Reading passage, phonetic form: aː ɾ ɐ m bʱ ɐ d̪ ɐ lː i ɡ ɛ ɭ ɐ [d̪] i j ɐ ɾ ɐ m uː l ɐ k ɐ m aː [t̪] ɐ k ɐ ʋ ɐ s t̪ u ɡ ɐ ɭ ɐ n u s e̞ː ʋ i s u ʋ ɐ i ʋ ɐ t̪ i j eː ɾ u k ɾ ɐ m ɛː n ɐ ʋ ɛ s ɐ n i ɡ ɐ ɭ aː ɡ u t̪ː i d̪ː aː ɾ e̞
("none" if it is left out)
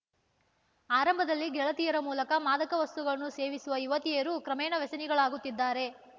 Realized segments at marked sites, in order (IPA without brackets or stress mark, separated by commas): t̪, d̪